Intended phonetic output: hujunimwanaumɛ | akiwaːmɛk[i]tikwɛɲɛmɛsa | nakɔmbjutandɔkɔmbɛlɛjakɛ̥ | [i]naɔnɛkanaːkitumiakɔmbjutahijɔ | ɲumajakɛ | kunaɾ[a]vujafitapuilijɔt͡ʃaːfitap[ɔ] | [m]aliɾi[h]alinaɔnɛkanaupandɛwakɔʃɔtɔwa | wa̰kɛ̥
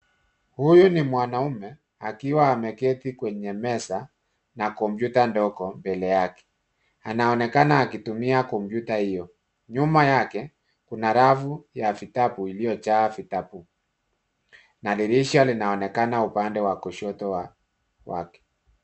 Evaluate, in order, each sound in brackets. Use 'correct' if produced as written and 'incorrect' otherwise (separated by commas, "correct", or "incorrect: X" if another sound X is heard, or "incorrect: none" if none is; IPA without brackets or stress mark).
incorrect: ɛ, incorrect: a, correct, incorrect: u, incorrect: n, incorrect: ʃ